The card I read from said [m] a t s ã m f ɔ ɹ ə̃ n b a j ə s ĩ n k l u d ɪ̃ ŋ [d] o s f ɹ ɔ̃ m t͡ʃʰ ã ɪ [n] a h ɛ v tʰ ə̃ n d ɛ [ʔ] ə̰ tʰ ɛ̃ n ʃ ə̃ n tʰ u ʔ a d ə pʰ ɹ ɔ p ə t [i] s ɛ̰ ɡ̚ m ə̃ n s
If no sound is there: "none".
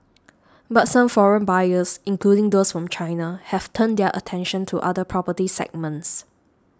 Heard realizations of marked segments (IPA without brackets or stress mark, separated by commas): b, d, n, ʔ, i